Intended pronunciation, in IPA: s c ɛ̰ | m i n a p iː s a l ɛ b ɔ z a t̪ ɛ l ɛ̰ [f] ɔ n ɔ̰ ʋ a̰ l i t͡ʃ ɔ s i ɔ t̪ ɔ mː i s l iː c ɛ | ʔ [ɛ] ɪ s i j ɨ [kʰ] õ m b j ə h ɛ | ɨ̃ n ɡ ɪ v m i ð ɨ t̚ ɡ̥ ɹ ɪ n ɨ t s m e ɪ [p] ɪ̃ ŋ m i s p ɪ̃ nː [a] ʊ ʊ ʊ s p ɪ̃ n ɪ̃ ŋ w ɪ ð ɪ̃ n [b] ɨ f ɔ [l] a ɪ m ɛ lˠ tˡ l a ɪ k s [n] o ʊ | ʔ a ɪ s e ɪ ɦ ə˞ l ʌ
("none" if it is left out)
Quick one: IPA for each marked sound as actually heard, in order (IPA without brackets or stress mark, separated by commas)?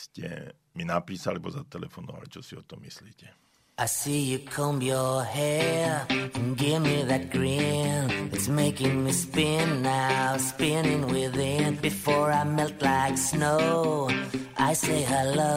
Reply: f, a, kʰ, k, a, b, ɹ, n